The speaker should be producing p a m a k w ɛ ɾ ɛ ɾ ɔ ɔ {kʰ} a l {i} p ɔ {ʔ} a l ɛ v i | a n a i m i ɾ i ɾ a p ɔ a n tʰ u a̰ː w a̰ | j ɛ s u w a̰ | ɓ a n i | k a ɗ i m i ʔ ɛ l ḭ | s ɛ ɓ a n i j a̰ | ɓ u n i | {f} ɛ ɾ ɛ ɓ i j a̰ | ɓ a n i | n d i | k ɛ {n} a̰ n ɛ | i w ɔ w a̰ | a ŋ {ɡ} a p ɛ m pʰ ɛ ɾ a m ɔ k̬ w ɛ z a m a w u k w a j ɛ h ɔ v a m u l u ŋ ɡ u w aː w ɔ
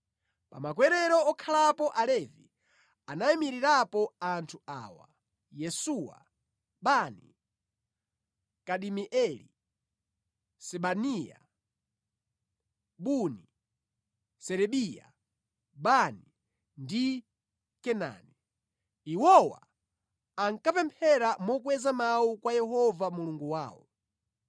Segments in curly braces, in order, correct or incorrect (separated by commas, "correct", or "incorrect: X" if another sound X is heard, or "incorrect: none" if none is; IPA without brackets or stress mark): correct, incorrect: a, correct, incorrect: s, correct, incorrect: k